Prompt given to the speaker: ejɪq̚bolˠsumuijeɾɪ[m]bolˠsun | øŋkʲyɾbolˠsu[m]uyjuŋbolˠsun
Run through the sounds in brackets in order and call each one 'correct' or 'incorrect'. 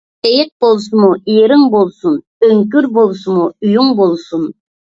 incorrect, correct

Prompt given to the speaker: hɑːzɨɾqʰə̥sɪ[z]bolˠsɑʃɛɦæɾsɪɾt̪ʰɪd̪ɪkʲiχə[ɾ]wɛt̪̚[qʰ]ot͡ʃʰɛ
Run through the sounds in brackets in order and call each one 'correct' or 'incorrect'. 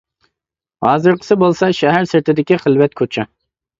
incorrect, incorrect, incorrect

